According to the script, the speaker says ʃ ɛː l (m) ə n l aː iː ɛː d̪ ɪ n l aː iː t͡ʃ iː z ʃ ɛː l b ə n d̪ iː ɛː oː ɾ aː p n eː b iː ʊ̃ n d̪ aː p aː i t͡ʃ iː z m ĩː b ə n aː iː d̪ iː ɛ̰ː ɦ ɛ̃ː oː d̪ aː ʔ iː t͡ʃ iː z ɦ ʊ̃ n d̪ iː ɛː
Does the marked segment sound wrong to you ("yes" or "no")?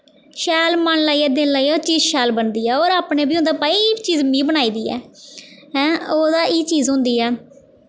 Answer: no